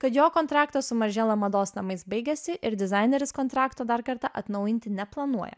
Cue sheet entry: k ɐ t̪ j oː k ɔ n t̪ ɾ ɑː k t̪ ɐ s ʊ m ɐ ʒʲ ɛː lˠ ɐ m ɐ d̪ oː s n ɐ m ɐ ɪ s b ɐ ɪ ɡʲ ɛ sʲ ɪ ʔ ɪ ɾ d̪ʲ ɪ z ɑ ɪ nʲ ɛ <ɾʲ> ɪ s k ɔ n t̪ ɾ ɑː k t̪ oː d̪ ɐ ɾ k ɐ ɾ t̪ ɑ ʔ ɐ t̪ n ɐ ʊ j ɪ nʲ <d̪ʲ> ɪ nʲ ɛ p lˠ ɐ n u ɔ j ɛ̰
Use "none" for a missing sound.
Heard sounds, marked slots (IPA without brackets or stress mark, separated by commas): ɾʲ, t̪ʲ